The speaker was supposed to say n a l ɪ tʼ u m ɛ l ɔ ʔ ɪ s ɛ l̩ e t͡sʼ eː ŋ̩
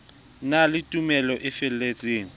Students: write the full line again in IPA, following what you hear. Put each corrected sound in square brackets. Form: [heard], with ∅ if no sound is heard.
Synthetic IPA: n a l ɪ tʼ u m ɛ l ɔ ʔ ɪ [f] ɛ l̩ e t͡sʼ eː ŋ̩